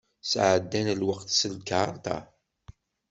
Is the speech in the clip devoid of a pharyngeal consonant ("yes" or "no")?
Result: no